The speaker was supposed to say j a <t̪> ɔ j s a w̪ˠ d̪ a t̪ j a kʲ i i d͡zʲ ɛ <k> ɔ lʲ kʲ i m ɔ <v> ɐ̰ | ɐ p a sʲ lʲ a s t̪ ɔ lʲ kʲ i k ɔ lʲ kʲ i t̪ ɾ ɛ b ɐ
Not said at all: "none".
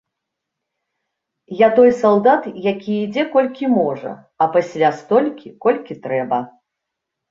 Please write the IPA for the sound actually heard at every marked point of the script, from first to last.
t̪, k, ʐ

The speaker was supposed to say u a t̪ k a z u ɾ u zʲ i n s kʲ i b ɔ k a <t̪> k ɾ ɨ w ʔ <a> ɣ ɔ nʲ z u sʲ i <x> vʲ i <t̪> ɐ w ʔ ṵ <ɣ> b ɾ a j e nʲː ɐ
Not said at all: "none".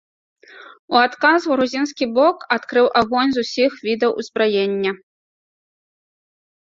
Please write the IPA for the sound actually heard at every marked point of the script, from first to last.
t̪, a, x, d̪, z

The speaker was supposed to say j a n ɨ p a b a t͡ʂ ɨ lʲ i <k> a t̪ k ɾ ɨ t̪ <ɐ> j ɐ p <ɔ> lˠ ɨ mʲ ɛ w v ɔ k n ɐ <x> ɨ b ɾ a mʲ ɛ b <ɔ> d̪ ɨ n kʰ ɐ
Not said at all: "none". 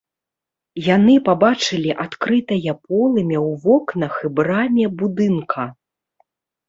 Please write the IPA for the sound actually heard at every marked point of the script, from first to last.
ʔ, ɐ, ɔ, x, u

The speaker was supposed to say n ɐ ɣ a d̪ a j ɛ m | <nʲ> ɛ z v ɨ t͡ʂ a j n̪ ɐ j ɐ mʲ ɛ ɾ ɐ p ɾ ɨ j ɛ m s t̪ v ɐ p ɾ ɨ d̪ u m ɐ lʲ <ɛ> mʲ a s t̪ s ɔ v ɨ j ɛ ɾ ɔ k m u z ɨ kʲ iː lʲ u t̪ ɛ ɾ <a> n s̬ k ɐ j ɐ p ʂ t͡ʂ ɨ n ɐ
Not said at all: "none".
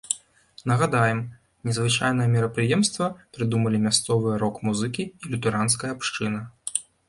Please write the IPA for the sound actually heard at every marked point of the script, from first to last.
nʲ, i, a

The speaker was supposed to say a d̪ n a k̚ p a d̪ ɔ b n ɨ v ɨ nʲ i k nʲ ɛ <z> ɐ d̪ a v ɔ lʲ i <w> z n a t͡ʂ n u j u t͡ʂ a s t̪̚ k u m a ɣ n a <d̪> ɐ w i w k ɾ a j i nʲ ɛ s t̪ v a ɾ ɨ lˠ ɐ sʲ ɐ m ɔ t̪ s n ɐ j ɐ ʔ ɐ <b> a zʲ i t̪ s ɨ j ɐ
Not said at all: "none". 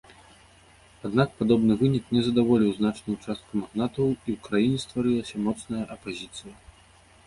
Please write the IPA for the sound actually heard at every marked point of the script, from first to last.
z, w, t̪, p

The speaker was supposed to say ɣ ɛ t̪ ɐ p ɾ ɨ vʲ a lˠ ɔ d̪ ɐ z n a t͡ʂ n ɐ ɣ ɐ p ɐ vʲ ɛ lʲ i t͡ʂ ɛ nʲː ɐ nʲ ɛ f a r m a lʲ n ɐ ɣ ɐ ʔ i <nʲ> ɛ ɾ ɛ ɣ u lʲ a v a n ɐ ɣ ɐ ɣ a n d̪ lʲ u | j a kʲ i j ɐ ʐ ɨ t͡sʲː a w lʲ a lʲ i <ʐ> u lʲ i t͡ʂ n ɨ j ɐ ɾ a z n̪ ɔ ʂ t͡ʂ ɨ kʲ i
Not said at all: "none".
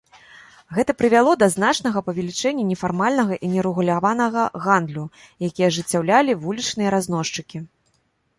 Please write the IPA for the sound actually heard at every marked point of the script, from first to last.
nʲ, v

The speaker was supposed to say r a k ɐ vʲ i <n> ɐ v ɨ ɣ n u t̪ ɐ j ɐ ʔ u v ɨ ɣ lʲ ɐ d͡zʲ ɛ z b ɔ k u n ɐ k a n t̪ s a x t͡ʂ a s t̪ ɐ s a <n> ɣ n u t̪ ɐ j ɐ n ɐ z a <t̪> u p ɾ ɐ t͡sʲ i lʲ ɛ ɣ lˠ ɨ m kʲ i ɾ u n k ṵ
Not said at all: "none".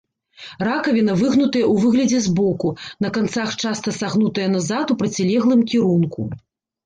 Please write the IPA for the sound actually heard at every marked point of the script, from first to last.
n, none, t̪

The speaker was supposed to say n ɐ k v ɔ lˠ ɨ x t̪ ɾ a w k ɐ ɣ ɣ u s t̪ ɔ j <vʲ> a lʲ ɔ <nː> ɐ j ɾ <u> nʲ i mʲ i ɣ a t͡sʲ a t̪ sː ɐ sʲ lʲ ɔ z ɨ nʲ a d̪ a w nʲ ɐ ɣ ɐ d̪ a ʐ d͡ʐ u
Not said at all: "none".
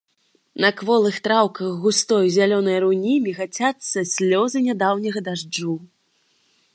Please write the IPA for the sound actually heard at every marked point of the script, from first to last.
zʲ, n, u

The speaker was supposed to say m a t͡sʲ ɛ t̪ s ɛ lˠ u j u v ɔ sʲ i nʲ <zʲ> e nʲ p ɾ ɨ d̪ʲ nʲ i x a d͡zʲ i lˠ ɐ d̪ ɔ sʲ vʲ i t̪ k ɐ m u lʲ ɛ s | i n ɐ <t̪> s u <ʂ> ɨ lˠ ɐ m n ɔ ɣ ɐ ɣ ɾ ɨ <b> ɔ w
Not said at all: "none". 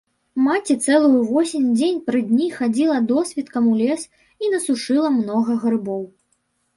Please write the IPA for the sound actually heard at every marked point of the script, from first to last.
d͡zʲ, none, ʂ, b

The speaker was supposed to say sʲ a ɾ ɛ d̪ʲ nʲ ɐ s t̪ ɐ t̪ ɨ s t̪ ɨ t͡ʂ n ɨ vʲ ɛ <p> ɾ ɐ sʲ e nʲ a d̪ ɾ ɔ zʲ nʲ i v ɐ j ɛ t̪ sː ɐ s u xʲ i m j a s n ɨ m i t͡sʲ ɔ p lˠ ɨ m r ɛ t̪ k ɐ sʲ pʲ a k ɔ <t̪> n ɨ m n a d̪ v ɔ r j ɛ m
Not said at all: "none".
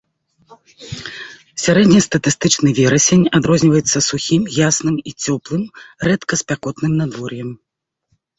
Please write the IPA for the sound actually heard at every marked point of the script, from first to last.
none, t̪

